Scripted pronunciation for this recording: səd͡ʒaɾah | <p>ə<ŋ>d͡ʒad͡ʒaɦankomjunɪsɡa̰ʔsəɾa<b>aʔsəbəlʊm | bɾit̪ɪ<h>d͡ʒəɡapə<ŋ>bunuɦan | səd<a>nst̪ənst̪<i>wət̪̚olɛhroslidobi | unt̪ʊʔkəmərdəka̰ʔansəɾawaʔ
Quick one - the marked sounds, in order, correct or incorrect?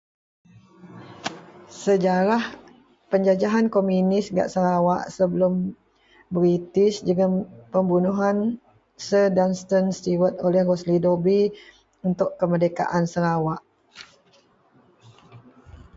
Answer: correct, incorrect: ɲ, incorrect: w, incorrect: s, incorrect: m, correct, correct

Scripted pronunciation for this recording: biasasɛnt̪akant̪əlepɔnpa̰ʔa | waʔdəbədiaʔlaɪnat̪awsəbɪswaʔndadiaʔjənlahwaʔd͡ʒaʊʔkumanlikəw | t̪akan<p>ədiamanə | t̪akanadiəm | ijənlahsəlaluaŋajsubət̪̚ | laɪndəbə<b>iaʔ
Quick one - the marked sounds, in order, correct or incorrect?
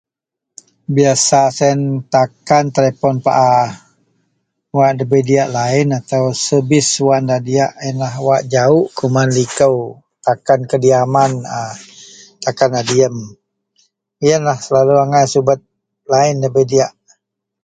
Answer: incorrect: k, incorrect: d

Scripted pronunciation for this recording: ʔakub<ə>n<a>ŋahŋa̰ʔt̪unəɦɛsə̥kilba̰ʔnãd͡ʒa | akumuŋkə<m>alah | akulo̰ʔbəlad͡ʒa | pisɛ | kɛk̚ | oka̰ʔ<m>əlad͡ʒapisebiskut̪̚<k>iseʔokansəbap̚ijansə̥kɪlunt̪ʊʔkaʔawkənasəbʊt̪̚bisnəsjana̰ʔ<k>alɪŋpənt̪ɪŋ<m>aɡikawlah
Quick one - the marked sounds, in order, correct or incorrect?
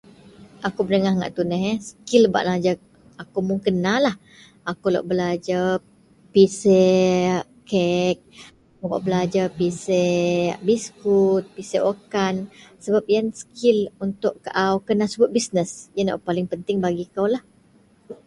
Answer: correct, incorrect: ə, incorrect: n, incorrect: b, incorrect: p, incorrect: p, incorrect: b

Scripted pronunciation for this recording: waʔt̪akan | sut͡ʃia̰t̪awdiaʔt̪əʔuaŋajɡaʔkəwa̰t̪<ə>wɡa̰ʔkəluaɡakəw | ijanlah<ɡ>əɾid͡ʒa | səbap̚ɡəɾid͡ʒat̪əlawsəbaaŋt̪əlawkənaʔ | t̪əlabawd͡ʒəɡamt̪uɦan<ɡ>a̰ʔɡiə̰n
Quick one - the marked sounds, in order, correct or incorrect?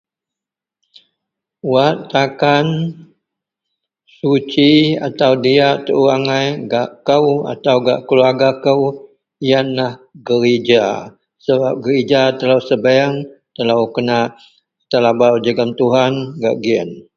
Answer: incorrect: a, correct, correct

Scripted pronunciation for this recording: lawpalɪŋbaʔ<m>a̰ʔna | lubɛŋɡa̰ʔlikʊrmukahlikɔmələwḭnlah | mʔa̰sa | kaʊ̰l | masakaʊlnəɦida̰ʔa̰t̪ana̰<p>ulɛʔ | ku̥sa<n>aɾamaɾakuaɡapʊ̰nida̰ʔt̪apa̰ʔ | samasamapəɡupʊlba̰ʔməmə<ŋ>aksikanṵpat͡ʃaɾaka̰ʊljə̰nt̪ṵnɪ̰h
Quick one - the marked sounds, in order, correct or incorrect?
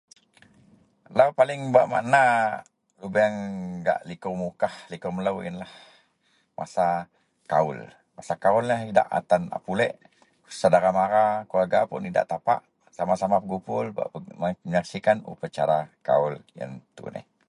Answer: correct, correct, incorrect: d, incorrect: ɲ

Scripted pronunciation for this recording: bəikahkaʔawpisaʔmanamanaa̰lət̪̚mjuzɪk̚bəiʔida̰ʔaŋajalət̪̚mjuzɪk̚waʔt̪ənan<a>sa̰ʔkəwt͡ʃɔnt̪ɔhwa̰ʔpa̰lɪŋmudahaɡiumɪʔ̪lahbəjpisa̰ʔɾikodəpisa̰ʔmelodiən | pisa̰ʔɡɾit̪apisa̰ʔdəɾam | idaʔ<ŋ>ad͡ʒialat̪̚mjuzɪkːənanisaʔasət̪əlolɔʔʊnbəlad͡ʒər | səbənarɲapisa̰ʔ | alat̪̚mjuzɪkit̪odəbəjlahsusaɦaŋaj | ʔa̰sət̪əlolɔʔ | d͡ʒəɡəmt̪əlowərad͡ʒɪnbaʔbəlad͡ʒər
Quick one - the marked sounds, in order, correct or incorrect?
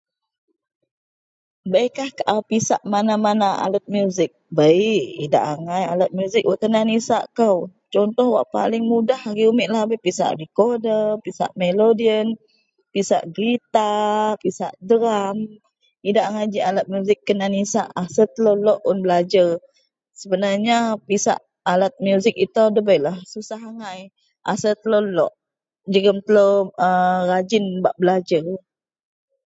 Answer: incorrect: i, correct

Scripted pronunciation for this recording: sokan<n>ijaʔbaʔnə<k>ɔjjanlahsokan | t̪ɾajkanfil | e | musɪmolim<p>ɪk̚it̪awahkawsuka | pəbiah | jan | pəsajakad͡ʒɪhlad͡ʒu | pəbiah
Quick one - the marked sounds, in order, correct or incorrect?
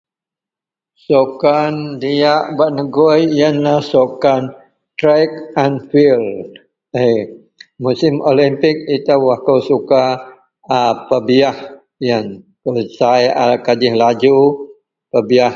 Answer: incorrect: d, incorrect: ɡ, correct

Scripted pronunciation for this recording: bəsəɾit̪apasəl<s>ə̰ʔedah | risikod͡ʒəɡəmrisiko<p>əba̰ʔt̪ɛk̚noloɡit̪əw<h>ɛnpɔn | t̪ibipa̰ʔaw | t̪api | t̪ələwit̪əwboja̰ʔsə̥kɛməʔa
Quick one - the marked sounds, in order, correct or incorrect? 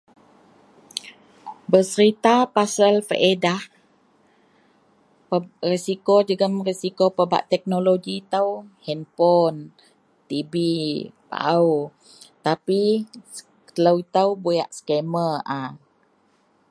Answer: incorrect: f, correct, correct

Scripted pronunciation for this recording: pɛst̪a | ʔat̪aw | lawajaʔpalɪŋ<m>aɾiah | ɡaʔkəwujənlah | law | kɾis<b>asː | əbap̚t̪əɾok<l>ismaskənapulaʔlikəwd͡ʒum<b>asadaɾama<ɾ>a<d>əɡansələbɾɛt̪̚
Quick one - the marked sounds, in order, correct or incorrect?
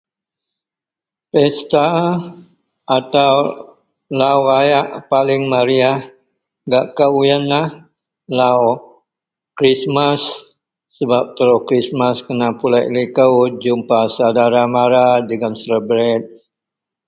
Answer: correct, incorrect: m, incorrect: ɾ, incorrect: p, correct, correct

